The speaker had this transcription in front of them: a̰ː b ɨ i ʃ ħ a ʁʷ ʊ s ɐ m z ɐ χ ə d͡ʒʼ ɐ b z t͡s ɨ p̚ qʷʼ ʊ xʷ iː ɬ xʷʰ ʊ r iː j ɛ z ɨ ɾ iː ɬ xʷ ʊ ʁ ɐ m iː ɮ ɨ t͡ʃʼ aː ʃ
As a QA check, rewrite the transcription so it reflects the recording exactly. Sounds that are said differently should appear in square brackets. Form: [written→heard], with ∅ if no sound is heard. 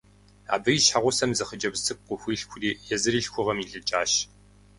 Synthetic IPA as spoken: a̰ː b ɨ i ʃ ħ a ʁʷ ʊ s ɐ m z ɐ χ ə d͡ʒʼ ɐ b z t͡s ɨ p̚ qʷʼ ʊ xʷ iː ɬ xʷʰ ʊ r iː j ɛ z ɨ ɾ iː ɬ xʷ ʊ ʁ ɐ m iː ɮ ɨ t͡ʃʼ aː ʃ